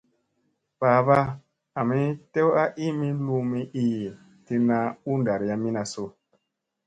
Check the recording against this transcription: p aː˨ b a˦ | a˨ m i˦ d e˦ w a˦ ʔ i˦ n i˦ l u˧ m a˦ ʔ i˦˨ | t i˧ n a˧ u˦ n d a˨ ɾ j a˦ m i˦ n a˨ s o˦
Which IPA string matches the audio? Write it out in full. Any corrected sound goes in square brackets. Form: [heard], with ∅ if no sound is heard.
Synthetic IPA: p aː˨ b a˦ | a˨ m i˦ [t] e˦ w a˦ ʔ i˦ [m] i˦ l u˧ m [i˦] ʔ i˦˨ | t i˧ n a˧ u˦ n d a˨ ɾ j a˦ m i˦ n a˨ s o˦